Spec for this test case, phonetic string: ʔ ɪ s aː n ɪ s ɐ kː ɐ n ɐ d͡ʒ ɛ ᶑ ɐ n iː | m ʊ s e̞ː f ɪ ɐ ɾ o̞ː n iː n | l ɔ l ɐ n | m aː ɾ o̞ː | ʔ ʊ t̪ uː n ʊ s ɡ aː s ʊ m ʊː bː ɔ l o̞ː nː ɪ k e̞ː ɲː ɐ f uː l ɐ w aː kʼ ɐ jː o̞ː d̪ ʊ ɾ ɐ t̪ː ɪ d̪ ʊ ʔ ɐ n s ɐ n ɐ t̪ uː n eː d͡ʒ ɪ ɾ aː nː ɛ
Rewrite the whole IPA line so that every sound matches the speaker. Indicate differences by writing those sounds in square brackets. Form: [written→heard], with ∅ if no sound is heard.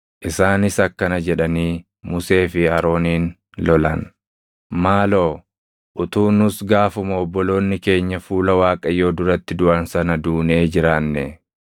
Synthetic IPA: ʔ ɪ s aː n ɪ s ɐ kː ɐ n ɐ d͡ʒ ɛ ᶑ ɐ n iː | m ʊ s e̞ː f ɪ ɐ ɾ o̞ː n iː n | l ɔ l ɐ n | m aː [ɾ→l] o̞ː | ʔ ʊ t̪ uː n ʊ s ɡ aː [s→f] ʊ m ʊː bː ɔ l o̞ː nː ɪ k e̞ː ɲː ɐ f uː l ɐ w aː kʼ ɐ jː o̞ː d̪ ʊ ɾ ɐ t̪ː ɪ d̪ ʊ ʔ ɐ n s ɐ n ɐ [t̪→d̪] uː n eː d͡ʒ ɪ ɾ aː nː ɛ